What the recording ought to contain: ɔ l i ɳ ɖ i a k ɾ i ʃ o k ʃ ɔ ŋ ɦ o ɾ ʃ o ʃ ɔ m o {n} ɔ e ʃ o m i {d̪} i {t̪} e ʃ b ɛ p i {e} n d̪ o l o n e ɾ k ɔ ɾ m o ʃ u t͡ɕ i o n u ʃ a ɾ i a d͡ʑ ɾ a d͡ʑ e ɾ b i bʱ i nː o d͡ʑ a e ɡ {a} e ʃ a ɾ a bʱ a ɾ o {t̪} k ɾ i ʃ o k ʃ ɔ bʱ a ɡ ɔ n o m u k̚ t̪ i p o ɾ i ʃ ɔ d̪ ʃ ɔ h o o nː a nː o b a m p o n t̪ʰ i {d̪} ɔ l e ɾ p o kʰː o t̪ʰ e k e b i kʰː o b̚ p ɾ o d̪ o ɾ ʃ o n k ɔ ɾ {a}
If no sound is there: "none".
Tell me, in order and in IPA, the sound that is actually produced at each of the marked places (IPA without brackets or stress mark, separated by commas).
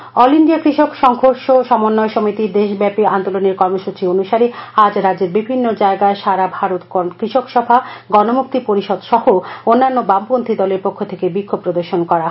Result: nː, t̪, d̪, a, a, t̪, d̪, a